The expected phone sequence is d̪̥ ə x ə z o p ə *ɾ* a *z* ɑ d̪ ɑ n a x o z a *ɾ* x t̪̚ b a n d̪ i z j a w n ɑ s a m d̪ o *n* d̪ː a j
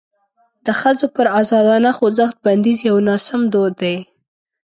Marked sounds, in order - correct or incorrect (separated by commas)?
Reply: correct, correct, incorrect, incorrect